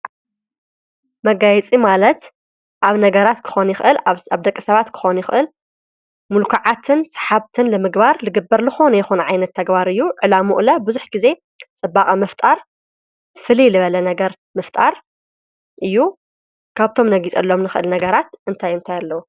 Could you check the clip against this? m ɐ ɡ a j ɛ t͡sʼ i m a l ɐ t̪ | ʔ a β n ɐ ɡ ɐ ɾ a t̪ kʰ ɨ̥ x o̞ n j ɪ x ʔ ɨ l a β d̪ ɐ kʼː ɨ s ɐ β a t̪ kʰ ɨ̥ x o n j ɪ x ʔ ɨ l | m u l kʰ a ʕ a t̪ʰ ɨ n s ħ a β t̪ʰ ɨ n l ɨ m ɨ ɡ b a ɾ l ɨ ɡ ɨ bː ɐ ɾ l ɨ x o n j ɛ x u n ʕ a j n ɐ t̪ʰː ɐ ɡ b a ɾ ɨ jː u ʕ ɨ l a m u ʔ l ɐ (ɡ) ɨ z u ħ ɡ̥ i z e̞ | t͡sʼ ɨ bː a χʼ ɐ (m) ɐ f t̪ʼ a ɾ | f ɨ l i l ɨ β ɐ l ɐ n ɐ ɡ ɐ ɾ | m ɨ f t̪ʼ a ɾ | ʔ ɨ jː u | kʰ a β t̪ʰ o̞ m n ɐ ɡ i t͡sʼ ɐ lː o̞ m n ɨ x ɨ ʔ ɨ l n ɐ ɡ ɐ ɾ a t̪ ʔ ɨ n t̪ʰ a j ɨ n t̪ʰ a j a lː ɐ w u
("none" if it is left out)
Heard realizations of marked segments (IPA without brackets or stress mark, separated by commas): b, m